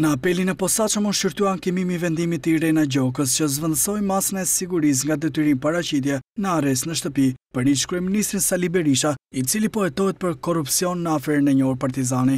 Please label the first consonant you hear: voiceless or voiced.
voiced